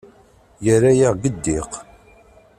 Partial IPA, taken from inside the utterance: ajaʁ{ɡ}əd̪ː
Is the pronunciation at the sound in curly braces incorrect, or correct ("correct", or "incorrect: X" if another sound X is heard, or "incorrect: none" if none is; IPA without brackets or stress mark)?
correct